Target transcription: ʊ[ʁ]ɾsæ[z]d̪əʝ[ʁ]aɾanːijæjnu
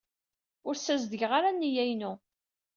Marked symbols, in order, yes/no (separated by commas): no, yes, yes